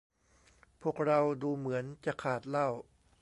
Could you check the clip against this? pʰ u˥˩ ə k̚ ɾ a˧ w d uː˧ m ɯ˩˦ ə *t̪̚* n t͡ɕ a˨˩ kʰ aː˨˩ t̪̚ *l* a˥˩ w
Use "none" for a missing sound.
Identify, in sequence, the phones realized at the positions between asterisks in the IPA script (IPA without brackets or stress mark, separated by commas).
none, l